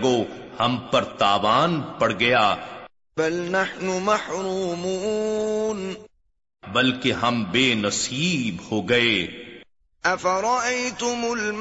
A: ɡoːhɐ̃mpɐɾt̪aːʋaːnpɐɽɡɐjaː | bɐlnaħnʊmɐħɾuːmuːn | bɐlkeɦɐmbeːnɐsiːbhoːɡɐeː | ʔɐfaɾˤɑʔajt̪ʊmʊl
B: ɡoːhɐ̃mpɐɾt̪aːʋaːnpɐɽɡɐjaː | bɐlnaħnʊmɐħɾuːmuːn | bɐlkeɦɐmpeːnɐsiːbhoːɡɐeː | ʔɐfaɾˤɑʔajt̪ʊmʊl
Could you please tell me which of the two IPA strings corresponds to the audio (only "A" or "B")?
A